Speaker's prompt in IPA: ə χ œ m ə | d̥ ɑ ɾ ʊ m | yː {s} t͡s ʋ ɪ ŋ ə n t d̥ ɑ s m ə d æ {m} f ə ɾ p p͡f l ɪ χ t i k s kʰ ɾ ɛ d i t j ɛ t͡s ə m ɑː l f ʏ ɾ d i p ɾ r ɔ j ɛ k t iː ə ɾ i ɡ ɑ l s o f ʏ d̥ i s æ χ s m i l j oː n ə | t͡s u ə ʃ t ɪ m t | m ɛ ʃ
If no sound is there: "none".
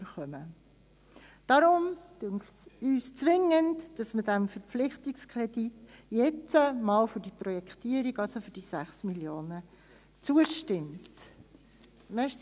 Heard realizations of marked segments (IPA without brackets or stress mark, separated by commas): s, m